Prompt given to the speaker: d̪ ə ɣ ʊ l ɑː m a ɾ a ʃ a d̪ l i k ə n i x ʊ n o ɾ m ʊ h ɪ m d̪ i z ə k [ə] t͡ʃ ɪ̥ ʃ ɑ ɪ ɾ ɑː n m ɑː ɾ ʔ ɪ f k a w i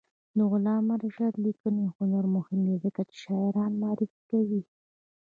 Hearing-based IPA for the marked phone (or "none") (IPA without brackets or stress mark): a